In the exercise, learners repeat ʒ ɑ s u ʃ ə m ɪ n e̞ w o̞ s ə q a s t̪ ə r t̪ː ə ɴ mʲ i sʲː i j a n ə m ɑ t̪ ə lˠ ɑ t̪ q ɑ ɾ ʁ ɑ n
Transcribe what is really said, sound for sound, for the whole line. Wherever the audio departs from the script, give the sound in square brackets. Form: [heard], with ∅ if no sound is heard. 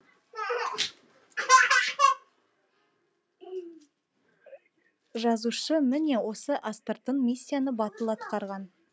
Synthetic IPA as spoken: ʒ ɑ [z] u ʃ ə m ɪ n e̞ w o̞ s ə [ʔ] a s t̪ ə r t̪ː ə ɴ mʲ i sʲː i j a n ə [b] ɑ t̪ ə lˠ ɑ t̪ q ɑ ɾ ʁ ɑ n